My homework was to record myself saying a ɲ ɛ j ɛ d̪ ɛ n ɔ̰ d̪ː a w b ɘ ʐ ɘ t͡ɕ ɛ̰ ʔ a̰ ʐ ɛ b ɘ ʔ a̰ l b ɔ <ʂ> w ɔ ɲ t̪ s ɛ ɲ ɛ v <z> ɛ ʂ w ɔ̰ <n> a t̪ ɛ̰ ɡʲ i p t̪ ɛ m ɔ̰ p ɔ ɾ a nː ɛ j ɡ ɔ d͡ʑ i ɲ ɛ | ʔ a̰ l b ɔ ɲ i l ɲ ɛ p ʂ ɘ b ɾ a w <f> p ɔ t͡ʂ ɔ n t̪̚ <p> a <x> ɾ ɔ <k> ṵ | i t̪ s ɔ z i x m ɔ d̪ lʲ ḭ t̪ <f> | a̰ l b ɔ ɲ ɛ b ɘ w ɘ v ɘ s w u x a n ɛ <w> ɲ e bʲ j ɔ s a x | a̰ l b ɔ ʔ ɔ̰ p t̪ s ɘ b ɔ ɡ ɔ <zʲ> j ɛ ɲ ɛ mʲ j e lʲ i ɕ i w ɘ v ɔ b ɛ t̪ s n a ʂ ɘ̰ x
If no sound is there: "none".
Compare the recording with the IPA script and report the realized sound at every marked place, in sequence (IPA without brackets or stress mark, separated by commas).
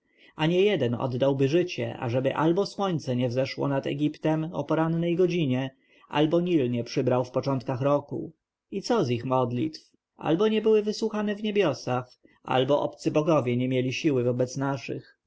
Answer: s, z, n, f, k, x, k, f, v, vʲ